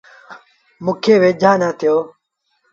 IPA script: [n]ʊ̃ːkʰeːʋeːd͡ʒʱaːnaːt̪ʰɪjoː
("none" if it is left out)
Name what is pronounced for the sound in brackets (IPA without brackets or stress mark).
m